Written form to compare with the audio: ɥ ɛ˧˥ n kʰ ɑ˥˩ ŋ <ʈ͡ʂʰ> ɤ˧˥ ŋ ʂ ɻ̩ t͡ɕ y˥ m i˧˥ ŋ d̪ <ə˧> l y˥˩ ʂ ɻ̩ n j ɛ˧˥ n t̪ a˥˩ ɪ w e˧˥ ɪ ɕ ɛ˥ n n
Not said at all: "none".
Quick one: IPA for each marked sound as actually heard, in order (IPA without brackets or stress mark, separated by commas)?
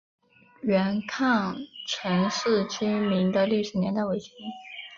ʈ͡ʂʰ, ə˧